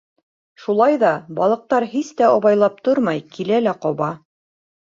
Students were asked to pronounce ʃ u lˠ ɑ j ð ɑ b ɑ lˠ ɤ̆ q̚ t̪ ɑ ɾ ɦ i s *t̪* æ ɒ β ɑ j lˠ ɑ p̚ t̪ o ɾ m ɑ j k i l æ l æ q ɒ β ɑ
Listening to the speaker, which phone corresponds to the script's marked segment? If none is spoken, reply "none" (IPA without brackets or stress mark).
t̪